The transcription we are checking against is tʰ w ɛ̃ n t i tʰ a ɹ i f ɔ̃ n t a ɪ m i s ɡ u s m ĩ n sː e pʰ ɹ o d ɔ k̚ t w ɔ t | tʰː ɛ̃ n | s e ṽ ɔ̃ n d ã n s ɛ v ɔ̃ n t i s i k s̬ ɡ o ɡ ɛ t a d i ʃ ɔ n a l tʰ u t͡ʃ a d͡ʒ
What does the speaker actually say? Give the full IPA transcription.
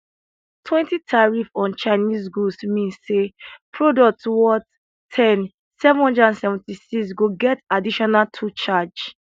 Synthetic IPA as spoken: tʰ w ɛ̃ n t i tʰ a ɹ i f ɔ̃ n t͡ʃ a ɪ n i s ɡ u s m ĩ n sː e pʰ ɹ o d ɔ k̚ t w ɔ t | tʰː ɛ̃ n | s ɛ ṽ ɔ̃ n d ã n s ɛ v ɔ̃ n t i s i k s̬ ɡ o ɡ ɛ t a d i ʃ ɔ n a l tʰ u t͡ʃ a d͡ʒ

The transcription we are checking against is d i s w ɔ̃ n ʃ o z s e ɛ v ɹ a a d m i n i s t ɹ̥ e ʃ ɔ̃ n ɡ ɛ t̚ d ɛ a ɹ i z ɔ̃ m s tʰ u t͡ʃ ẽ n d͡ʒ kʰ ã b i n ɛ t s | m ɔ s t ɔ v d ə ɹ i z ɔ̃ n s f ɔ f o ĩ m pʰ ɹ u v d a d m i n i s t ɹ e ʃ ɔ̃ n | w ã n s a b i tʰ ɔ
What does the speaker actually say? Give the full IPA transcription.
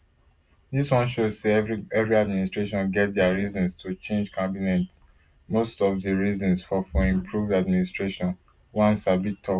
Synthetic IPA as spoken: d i s w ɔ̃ n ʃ o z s e ɛ v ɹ i a d m i n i s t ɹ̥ e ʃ ɔ̃ n ɡ ɛ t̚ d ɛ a ɹ i z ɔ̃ n s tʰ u t͡ʃ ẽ n d͡ʒ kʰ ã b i n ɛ t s | m o s t ɔ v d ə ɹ i z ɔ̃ n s f ɔ f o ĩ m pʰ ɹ u v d a d m i n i s t ɹ e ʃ ɔ̃ n | w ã n s a b i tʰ ɔ

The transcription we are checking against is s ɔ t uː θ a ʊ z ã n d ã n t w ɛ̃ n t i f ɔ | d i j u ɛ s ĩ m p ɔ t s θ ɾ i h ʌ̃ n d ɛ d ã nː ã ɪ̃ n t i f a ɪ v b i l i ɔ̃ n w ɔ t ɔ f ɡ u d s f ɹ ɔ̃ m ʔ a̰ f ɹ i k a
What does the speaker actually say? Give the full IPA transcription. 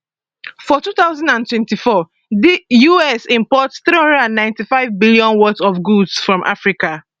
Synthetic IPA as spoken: f ɔ t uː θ a ʊ z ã n d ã n t w ɛ̃ n t i f ɔ | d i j u ɛ s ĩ m p ɔ t s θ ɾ i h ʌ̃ n d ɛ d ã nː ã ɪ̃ n t i f a ɪ v b i l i ɔ̃ n w ɔ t ɔ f ɡ u d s f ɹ ɔ̃ m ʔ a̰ f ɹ i k a

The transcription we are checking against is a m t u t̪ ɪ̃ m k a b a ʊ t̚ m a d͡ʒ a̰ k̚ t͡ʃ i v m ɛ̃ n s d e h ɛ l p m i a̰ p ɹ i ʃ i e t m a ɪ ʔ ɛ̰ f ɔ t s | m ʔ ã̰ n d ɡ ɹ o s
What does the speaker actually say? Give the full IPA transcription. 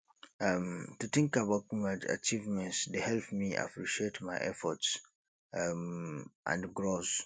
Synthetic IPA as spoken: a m t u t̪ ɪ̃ ŋ k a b a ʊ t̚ m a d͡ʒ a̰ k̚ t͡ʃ i v m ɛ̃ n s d e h ɛ l p m i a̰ p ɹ i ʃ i e t m a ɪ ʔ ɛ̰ f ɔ t s | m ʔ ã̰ n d ɡ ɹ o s

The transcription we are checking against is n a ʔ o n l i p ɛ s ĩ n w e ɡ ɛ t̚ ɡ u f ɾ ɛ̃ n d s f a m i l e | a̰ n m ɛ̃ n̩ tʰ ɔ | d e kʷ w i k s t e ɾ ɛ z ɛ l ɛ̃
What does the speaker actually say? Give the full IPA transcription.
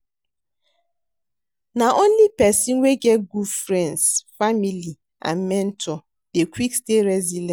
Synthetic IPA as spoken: n a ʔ o n l i p ɛ s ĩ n w e ɡ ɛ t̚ ɡ u f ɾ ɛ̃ n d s f a m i l i | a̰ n m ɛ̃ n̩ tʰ ɔ | d e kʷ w i k s t e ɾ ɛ z i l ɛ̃

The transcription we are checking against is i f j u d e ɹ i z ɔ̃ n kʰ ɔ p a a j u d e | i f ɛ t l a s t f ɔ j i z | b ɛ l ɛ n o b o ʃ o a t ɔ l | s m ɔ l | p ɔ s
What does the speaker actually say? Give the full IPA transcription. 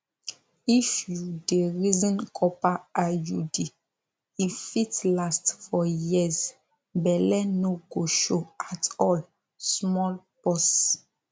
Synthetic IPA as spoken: i f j u d e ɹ i z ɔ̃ n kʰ ɔ p a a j u d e | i f i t l a s t f ɔ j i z | b ɛ l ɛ n o ɡ o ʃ o a t ɔ l | s m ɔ l | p ɔ s

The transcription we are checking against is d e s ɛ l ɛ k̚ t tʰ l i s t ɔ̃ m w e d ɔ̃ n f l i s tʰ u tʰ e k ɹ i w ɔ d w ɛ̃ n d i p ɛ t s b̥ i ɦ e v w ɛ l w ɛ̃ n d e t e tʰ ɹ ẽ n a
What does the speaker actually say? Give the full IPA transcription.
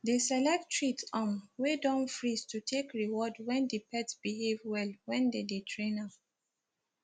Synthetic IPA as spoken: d e s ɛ l ɛ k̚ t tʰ ɹ i t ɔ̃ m w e d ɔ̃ n f ɹ i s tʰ u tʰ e k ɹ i w ɔ d w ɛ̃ n d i p ɛ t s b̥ i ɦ e v w ɛ l w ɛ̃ n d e d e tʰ ɹ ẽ n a

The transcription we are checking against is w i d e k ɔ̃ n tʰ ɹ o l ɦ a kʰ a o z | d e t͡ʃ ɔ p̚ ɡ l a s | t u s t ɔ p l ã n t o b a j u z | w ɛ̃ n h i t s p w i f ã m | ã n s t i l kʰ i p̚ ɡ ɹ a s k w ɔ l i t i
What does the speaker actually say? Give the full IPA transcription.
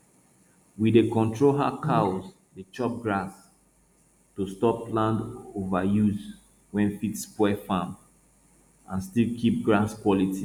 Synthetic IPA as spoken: w i d e k ɔ̃ n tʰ ɹ o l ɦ a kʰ a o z | d e t͡ʃ ɔ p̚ ɡ ɹ a s | t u s t ɔ p l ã n d o v a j u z | w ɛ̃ n f i t s p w ɛ f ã m | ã n s t i l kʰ i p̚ ɡ ɹ a s k w ɔ l i t i

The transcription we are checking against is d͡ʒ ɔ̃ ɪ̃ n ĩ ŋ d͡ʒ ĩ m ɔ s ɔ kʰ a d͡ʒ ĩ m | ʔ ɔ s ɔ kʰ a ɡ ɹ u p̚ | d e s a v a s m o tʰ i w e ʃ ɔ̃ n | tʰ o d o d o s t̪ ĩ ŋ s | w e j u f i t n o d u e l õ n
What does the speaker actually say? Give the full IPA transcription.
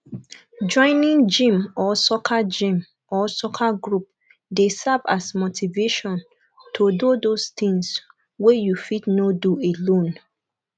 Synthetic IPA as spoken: d͡ʒ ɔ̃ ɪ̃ n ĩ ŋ d͡ʒ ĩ m ɔ s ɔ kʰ a d͡ʒ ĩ m | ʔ ɔ s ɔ kʰ a ɡ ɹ u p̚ | d e s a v a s m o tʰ i v e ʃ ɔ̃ n | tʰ o d o d o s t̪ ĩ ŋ s | w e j u f i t n o d u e l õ n

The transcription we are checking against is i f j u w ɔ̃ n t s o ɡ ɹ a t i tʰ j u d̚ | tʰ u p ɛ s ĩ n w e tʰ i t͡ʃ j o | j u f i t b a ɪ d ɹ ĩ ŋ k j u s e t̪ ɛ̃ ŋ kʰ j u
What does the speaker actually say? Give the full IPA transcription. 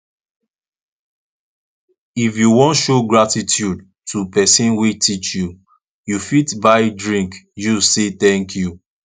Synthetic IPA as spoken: i f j u w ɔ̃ n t ʃ o ɡ ɹ a t i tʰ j u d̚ | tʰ u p ɛ s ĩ n w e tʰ i t͡ʃ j u | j u f i t b a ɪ d ɹ ĩ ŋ k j u s e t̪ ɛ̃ ŋ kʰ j u

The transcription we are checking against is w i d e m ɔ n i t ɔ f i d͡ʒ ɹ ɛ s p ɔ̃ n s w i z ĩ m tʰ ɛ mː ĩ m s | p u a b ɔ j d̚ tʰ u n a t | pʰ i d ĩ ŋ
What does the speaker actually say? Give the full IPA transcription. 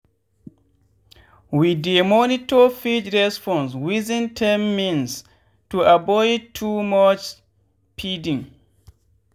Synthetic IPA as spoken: w i d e m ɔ n i t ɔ f i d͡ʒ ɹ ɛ s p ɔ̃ n s w i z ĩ n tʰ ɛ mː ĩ n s | t u a b ɔ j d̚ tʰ u m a t͡ʃ | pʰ i d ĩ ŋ

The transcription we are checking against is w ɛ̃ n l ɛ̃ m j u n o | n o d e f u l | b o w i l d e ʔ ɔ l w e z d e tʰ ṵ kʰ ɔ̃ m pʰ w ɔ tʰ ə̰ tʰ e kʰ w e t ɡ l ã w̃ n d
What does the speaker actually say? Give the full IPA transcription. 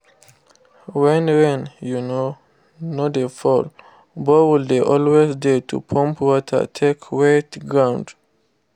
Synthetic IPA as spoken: w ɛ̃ n ɹ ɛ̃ n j u n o | n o d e f ɔ l | b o w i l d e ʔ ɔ l w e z d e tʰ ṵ pʰ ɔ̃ m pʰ w ɔ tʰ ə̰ tʰ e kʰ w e t ɡ ɹ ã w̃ n d

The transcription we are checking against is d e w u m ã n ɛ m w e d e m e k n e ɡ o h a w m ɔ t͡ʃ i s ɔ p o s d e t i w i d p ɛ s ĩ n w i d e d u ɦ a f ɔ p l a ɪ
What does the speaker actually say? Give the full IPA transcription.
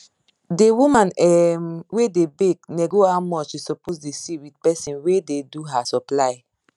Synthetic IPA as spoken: d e w u m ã n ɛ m w e d e b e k n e ɡ o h a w m ɔ t͡ʃ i s ɔ p o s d e s i w i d p ɛ s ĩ n w e d e d u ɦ a s ɔ p l a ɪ

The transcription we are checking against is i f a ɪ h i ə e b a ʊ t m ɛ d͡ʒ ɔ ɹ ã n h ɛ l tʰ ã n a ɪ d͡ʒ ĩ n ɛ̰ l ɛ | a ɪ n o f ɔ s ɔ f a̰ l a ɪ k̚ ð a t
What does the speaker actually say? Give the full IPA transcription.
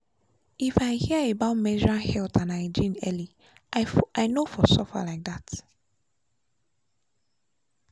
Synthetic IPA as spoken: i f a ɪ h i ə e b a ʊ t m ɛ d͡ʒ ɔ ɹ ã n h ɛ l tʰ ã n a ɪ d͡ʒ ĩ n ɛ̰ l i | a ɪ n o f ɔ s ɔ f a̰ l a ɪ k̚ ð a t

